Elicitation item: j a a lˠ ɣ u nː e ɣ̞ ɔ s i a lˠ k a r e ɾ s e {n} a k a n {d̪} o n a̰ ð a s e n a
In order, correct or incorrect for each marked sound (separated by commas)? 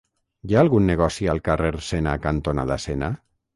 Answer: correct, incorrect